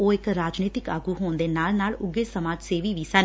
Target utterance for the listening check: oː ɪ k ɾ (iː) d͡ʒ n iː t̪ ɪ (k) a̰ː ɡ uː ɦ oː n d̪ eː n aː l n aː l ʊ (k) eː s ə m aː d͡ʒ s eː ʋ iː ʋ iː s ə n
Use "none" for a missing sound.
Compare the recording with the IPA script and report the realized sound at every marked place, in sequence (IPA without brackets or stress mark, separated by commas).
aː, k, ɡ